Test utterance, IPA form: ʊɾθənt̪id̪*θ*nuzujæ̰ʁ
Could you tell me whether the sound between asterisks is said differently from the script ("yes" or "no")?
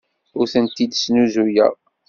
yes